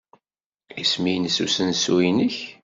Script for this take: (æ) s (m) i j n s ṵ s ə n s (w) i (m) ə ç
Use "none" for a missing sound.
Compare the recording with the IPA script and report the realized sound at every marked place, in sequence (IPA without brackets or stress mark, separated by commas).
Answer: i, m, u, n